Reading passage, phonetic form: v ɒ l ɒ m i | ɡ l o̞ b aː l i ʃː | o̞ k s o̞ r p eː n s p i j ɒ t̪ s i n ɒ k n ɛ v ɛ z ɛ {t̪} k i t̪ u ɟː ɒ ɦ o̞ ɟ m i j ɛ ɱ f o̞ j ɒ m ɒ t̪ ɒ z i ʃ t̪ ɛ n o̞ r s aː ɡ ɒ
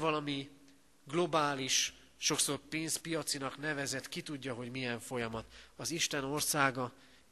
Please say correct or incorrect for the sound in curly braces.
correct